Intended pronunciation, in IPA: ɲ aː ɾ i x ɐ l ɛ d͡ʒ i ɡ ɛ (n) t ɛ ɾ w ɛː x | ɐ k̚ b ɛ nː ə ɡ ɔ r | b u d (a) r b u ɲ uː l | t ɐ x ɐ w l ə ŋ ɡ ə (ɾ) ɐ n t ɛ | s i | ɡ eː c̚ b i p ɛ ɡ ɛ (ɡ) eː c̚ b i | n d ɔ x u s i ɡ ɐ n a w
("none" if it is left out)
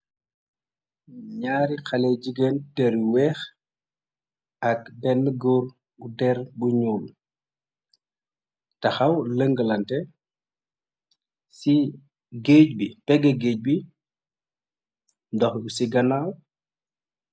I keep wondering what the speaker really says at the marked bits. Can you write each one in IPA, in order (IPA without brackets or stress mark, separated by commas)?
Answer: n, ɛ, l, ɡ